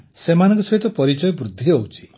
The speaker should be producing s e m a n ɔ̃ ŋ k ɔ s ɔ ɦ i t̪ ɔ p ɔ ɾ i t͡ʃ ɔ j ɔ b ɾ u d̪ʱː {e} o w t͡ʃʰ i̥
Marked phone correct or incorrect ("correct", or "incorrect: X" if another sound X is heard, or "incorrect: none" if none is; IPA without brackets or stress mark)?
incorrect: i